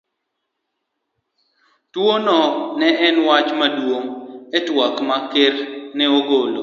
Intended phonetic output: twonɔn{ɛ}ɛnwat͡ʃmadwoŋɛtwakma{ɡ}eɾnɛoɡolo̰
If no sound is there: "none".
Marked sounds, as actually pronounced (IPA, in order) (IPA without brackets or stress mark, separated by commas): ɛ, k